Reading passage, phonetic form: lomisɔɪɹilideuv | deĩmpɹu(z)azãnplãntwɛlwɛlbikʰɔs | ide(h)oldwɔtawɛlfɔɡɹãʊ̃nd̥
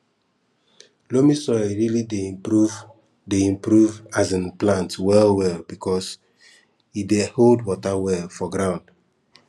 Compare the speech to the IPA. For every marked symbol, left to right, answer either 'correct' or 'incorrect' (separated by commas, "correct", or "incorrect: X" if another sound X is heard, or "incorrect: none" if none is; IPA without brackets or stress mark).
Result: incorrect: v, correct